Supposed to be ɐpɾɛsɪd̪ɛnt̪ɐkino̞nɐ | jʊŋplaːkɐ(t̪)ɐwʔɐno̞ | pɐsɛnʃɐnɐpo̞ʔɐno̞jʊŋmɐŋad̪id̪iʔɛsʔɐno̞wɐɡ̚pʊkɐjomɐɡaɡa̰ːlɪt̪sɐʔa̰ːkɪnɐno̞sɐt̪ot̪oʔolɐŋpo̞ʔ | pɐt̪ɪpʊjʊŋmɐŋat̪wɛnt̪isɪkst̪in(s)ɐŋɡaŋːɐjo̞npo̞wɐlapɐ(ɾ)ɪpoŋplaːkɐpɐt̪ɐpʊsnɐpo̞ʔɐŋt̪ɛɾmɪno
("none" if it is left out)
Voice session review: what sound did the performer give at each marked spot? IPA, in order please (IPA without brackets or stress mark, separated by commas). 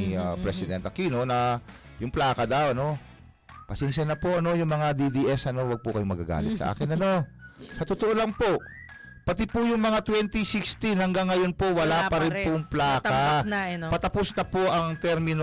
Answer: d̪, h, ɾ